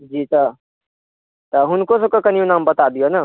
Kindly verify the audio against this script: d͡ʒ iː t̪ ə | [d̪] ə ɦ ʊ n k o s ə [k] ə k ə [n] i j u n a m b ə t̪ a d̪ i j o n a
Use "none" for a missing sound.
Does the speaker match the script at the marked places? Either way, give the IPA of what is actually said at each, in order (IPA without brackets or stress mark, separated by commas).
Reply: t̪, k, n